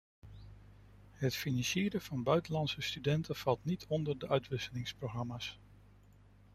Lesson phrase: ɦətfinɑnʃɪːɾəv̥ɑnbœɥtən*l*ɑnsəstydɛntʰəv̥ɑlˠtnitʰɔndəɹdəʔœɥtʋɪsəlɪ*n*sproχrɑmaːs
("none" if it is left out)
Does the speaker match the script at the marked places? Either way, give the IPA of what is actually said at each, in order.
l, ŋ

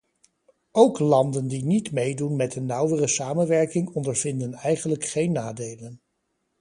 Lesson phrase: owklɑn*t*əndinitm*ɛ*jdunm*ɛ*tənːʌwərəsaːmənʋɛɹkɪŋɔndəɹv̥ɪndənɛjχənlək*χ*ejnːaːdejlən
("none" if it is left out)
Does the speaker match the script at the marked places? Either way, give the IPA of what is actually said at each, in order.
d, e, ɛ, χ

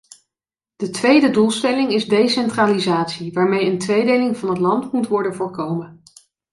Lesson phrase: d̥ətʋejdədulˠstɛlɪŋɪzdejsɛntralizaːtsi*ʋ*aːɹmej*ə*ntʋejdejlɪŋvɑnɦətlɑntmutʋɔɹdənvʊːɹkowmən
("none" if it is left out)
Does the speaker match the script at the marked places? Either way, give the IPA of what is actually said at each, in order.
ʋ, ə

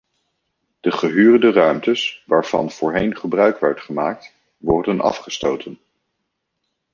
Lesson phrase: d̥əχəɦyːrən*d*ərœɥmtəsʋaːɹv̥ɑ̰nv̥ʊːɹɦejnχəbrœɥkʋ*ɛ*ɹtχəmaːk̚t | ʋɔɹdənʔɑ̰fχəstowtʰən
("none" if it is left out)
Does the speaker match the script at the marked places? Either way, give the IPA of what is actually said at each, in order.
d, ɛ

